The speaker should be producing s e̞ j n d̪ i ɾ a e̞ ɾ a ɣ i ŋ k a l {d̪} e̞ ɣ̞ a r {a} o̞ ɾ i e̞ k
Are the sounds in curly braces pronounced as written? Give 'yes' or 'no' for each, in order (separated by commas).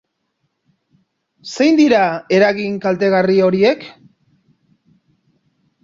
no, no